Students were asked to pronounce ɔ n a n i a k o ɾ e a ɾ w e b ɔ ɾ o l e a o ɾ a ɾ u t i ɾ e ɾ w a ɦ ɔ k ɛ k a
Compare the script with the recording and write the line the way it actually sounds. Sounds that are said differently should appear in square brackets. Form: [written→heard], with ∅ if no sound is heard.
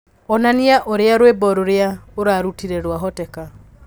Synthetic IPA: ɔ n a n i a [k→ʔ] o ɾ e a ɾ w e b ɔ ɾ o [l→ɾ] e a o ɾ a ɾ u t i ɾ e ɾ w a ɦ ɔ [k→t] ɛ k a